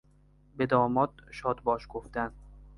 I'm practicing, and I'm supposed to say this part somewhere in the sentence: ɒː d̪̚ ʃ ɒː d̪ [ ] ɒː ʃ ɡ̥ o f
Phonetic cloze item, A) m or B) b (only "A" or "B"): B